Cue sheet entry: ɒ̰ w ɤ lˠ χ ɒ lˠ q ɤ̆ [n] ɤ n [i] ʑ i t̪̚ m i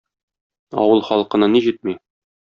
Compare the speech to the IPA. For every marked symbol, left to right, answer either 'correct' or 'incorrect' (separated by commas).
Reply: correct, correct